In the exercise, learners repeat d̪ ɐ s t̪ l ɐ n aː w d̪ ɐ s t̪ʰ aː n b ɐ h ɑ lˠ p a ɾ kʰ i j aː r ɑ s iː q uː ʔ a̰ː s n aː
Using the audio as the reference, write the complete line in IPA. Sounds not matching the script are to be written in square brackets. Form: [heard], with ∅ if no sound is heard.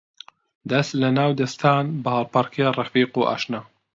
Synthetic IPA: d̪ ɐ s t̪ l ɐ n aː w d̪ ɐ s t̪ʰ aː n b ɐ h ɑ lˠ p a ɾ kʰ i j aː r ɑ [f] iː q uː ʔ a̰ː [ʃ] n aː